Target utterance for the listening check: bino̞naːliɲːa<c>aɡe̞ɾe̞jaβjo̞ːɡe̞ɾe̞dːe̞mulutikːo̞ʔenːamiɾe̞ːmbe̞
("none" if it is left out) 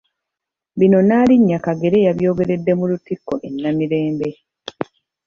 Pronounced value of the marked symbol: k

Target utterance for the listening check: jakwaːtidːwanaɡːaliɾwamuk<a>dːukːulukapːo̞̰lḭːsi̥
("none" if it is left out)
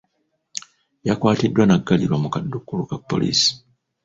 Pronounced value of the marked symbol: a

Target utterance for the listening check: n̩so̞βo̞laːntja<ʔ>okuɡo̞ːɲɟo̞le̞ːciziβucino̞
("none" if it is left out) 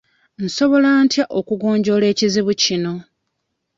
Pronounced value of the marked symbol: ʔ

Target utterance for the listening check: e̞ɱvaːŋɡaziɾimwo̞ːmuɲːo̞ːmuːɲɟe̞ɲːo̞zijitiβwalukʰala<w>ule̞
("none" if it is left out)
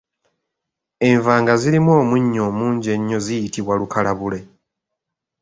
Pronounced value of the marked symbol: β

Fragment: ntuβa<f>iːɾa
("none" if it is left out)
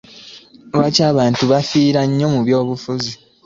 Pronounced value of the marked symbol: f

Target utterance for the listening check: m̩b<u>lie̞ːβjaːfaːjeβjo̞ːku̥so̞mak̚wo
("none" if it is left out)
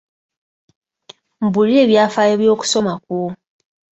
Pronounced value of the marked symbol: u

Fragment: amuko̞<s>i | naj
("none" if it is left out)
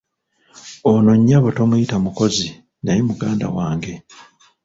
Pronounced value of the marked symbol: z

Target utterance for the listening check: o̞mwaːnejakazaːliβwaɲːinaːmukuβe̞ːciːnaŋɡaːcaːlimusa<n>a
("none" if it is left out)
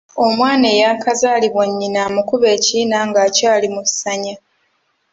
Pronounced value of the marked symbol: ɲ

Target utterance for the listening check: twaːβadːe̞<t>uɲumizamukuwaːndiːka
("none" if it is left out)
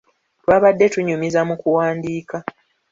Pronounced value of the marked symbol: t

